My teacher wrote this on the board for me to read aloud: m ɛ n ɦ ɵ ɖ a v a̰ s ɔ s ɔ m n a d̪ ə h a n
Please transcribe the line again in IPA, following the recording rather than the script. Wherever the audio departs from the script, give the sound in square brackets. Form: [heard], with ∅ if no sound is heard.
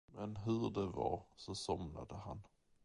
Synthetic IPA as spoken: m ɛ n ɦ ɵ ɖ [ɛ] v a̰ s ɔ s ɔ m n a d̪ ə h a n